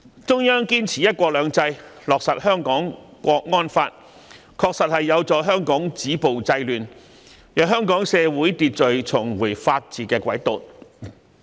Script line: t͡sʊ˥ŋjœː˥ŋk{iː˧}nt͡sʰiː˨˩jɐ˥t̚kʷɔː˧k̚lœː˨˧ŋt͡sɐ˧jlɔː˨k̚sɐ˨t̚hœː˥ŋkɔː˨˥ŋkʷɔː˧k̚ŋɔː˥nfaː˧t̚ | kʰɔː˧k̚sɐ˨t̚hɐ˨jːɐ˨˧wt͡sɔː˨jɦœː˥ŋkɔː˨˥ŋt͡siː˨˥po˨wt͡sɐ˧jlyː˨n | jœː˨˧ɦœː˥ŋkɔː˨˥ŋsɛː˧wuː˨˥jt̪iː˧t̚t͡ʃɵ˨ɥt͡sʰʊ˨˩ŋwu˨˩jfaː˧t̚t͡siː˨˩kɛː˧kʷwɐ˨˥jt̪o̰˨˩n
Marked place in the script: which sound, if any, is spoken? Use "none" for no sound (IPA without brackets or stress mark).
iː˥